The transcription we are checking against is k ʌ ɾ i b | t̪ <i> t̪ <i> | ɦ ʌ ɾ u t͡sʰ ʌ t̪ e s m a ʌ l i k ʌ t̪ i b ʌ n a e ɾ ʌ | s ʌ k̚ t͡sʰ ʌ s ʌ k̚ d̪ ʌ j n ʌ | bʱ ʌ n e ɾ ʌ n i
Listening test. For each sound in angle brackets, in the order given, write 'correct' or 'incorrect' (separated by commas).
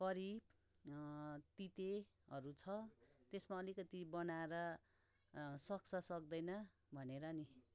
correct, incorrect